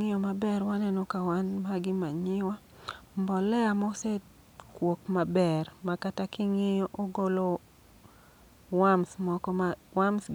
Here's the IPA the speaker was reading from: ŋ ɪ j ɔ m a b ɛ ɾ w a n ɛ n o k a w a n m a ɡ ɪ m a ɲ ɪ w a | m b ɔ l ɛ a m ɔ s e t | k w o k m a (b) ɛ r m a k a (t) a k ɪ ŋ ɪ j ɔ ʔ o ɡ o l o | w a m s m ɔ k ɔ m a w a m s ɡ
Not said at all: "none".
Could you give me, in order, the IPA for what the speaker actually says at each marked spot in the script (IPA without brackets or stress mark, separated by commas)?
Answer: b, t